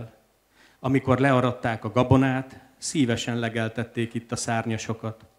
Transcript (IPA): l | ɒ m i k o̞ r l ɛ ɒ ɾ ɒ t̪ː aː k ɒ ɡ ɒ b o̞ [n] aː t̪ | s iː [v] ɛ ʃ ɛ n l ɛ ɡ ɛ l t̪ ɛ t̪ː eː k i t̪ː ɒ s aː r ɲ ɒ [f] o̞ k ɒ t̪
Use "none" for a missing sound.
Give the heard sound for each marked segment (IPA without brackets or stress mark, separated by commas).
n, v, ʃ